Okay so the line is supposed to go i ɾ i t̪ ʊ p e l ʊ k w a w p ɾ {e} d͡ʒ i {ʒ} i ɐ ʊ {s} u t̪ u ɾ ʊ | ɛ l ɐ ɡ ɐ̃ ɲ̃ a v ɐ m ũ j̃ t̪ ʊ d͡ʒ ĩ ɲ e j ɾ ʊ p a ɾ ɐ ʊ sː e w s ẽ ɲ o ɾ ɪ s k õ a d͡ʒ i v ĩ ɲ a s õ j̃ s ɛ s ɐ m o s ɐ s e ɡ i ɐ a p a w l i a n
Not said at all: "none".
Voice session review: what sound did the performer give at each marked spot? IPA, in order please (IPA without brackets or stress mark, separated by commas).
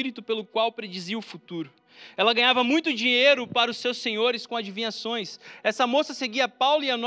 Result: e, z, f